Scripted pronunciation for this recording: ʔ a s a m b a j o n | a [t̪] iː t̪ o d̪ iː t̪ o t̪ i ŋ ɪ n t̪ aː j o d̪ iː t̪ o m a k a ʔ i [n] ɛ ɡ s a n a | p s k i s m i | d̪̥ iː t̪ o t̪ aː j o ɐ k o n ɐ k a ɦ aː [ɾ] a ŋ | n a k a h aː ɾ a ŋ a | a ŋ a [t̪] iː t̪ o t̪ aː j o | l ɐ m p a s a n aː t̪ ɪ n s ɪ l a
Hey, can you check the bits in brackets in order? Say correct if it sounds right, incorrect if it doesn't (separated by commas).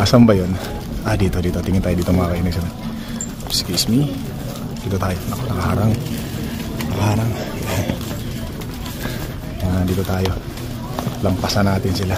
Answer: incorrect, correct, correct, incorrect